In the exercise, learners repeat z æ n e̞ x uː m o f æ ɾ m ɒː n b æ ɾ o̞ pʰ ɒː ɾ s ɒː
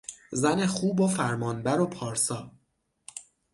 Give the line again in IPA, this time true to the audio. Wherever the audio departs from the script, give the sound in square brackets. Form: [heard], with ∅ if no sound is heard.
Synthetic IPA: z æ n e̞ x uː [b] o f æ ɾ m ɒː n b æ ɾ o̞ pʰ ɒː ɾ s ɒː